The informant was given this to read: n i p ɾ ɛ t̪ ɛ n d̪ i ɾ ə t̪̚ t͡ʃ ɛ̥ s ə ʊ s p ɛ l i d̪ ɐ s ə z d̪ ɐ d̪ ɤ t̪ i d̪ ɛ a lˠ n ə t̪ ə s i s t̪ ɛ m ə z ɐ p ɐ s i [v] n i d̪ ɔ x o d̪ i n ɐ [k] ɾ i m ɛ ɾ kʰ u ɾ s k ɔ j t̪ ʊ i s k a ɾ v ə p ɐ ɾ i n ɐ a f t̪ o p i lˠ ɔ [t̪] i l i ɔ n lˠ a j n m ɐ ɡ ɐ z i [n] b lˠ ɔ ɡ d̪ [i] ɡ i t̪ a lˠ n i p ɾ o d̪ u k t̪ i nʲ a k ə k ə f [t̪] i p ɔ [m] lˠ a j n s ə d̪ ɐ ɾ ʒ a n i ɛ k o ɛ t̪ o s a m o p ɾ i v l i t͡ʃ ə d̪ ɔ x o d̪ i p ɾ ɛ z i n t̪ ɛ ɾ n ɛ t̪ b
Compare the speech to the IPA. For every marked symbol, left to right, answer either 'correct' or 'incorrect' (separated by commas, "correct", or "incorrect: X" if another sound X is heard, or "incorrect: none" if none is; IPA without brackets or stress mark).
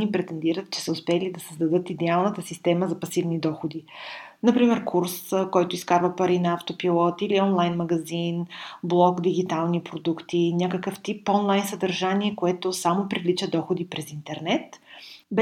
correct, incorrect: p, correct, correct, correct, correct, incorrect: n